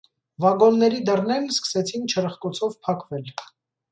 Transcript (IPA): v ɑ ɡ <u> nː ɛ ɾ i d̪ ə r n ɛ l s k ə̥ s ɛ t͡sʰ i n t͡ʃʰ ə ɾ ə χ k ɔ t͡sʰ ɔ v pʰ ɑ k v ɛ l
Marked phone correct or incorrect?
incorrect